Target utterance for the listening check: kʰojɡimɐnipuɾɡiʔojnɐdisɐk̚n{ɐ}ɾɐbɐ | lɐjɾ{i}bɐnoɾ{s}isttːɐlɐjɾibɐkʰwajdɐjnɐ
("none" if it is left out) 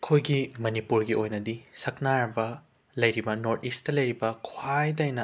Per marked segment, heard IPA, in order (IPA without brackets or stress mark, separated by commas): a, i, t